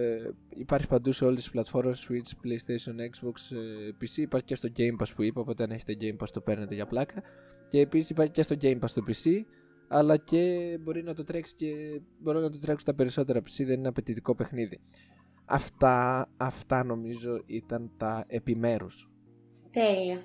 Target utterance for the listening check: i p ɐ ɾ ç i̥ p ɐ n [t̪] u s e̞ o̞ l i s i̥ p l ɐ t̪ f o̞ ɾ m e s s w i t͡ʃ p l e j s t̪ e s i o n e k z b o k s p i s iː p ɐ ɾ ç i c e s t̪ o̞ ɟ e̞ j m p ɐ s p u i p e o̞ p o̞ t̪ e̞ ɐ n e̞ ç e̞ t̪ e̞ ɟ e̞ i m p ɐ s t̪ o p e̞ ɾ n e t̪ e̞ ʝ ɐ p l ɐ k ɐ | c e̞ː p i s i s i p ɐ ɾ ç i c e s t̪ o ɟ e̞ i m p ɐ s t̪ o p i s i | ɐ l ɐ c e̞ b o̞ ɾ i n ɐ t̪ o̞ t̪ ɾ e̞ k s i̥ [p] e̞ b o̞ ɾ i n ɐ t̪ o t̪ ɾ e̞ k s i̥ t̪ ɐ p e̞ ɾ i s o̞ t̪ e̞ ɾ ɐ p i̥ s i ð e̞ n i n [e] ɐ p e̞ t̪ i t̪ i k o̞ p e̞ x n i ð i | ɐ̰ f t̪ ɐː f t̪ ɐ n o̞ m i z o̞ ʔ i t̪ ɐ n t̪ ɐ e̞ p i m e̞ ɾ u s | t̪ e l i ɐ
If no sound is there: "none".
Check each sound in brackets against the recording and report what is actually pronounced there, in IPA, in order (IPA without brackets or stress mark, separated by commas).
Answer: d̪, c, e